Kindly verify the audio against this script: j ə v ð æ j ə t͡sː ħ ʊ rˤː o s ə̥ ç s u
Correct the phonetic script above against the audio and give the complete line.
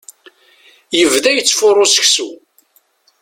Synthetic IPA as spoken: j ə v ð æ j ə t͡sː f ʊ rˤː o s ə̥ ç s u